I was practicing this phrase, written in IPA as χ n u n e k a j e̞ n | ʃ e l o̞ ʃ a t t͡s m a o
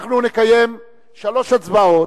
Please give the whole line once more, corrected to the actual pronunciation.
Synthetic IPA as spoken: χ n u n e k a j e̞ m | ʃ a l o̞ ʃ a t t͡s b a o